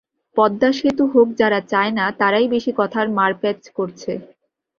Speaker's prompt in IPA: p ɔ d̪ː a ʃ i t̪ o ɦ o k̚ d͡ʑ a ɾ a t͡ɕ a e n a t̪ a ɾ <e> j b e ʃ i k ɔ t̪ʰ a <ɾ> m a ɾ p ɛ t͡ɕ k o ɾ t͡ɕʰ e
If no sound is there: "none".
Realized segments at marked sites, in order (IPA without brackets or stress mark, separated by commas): a, ɾ